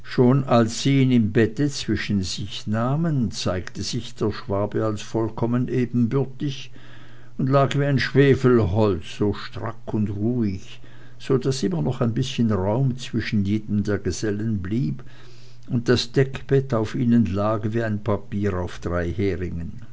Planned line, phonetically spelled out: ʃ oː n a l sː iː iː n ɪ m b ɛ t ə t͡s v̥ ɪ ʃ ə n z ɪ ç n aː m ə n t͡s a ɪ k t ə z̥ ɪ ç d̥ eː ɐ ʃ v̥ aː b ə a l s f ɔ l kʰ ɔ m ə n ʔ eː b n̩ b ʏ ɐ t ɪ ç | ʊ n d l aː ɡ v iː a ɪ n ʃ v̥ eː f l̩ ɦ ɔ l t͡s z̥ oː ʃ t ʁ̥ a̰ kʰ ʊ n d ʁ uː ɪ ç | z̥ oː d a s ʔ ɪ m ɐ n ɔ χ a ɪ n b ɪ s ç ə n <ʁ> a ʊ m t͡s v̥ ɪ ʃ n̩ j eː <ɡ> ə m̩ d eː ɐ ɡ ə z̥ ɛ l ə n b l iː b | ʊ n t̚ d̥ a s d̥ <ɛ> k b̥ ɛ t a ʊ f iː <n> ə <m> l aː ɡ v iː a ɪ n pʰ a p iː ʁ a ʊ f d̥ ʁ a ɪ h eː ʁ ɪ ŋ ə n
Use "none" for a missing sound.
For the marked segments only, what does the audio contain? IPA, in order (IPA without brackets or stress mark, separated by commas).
ʁ, d, ɛ, n, n